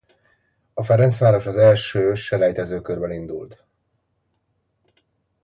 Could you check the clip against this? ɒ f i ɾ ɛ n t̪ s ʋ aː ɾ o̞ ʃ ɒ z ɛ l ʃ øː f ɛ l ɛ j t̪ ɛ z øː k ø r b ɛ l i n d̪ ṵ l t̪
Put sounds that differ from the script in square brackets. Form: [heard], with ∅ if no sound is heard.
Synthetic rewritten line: ɒ f [ɛ] ɾ ɛ n t̪ s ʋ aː ɾ o̞ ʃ ɒ z ɛ l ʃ øː [ʃ] ɛ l ɛ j t̪ ɛ z øː k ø r b ɛ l i n d̪ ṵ l t̪